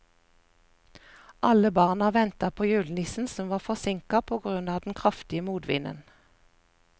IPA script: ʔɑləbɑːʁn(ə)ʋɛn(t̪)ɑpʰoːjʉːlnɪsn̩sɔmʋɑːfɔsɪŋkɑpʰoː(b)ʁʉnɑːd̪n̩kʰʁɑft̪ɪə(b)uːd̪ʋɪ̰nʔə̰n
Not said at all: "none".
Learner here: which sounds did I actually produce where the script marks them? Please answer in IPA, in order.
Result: ɑ, t̪, ɡ, m

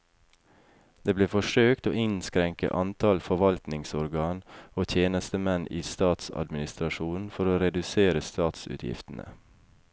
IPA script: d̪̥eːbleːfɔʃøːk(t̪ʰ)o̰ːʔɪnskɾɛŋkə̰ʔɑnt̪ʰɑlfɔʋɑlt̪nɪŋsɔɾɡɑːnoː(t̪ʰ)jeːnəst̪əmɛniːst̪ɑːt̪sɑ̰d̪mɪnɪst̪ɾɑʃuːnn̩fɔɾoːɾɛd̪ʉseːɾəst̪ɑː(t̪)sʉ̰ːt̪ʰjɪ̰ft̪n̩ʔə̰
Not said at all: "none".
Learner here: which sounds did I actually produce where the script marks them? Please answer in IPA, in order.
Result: t̪, t̪ʰ, t̪

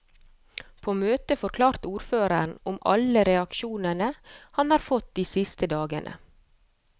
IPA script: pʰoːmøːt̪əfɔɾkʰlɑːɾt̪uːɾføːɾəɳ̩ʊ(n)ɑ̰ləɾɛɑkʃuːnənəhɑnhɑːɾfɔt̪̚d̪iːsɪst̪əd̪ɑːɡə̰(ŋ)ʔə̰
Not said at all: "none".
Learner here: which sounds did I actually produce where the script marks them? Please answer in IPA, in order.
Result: m, n

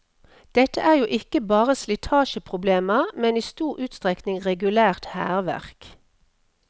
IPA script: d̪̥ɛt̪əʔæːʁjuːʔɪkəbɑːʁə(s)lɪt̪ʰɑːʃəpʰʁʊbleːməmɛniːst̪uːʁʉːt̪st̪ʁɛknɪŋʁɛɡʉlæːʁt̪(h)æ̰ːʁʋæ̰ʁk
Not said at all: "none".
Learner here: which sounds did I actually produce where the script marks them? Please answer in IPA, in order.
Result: s, h

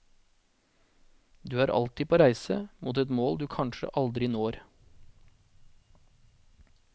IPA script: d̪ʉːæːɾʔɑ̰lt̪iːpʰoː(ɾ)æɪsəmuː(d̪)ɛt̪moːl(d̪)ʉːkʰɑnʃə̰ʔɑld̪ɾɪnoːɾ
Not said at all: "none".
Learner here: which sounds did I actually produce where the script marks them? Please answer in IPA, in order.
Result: ɾ, t̪, d̪

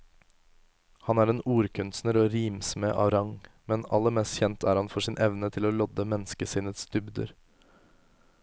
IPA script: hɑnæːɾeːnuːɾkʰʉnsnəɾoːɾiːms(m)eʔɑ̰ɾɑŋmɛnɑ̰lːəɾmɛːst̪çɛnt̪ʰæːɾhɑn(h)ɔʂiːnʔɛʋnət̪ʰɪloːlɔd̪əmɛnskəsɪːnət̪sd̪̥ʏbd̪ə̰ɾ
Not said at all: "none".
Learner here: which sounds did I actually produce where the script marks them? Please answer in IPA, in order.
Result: m, f

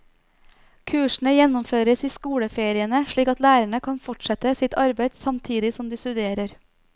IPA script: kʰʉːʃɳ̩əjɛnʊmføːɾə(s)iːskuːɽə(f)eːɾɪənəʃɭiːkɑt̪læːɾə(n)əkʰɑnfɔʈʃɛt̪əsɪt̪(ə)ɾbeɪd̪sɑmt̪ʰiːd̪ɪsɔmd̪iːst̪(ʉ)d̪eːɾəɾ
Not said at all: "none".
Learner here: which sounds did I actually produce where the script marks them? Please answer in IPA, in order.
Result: s, f, ɳ, ɑ, ʉ

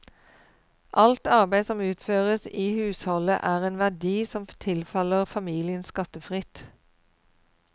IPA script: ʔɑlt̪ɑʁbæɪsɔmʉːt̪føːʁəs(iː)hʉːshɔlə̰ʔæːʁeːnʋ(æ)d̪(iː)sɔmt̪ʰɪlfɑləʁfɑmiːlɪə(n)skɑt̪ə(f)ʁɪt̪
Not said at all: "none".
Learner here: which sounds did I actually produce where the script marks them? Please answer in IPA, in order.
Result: iː, æ, iː, n, f

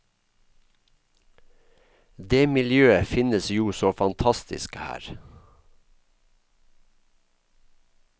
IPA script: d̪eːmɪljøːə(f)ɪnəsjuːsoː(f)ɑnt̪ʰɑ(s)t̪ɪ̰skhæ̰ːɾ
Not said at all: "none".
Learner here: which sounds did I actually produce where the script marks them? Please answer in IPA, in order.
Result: f, f, s

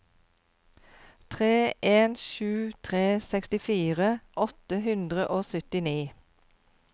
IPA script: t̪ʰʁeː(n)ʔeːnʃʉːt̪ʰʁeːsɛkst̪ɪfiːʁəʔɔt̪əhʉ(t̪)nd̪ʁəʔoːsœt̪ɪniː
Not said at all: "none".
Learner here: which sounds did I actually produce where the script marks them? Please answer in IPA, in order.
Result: none, none

